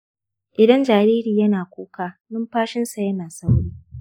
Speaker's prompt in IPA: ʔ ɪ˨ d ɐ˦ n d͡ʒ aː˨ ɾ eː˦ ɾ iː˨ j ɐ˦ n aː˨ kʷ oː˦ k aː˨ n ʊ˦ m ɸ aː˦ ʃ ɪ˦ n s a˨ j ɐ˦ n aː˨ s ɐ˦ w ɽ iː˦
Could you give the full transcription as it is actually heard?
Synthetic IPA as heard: ʔ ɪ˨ d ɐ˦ n d͡ʒ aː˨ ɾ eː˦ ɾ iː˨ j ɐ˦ n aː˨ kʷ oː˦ k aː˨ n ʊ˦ m ɸ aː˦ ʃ ɪ˦ n s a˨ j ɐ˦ n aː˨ s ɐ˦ w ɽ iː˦